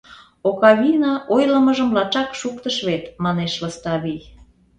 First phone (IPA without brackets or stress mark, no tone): o